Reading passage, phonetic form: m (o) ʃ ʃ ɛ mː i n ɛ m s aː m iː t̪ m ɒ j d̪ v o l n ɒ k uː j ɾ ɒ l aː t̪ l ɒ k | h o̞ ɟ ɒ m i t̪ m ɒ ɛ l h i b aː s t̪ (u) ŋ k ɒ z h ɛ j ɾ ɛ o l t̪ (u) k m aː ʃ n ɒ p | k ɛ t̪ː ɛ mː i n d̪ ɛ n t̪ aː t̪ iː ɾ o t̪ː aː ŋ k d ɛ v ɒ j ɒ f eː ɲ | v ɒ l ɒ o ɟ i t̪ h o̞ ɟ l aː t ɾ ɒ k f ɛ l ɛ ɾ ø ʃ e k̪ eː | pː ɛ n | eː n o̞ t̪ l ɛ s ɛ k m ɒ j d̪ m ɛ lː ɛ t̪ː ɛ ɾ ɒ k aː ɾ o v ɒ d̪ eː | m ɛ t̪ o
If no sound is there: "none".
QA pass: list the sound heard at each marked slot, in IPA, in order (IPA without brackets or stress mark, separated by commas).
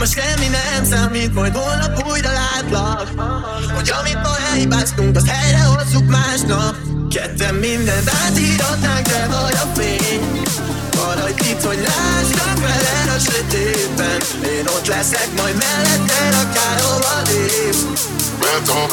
o, u, u